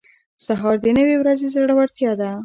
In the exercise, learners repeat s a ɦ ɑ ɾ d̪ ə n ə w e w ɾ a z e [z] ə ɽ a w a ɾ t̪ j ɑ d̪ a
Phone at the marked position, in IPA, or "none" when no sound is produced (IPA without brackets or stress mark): z